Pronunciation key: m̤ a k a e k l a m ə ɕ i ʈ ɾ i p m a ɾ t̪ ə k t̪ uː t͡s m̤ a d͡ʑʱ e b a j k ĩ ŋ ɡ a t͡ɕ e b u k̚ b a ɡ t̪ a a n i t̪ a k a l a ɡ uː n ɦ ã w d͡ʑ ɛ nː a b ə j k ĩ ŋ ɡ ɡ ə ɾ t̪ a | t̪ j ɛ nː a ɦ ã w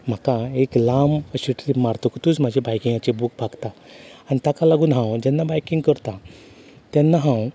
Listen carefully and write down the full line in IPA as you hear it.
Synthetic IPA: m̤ a k a e k l a m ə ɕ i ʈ l i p m a ɾ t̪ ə k t̪ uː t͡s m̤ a d͡ʑʱ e b a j k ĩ ŋ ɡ a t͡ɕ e b u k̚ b a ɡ t̪ a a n i t̪ a k a l a ɡ uː n ɦ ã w d͡ʑ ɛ nː a b a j k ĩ ŋ ɡ k ə ɾ t̪ a | t̪ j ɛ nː a ɦ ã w